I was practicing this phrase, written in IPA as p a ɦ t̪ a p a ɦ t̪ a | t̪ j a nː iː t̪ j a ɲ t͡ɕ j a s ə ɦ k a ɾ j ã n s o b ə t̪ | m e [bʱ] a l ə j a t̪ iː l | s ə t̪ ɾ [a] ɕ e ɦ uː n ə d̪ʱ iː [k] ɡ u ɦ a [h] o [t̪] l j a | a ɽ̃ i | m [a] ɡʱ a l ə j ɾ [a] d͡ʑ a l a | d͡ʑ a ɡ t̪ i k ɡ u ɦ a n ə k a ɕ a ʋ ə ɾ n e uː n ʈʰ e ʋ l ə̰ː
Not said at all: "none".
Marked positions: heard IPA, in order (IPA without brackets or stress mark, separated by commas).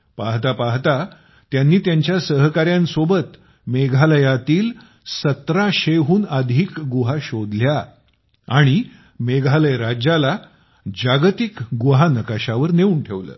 ɡʱ, a, k, ɕ, d̪, e, a